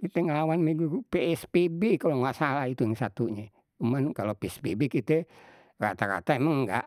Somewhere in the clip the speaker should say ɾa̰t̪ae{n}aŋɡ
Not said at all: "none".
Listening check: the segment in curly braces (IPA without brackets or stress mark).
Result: m